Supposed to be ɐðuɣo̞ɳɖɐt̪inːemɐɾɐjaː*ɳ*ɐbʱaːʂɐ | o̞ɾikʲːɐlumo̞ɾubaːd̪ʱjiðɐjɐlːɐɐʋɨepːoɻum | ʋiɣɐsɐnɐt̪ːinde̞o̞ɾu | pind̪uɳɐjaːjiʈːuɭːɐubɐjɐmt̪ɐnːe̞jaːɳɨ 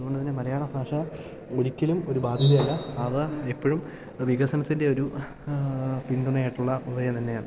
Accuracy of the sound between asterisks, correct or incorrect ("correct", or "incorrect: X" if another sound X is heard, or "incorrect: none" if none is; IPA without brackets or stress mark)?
correct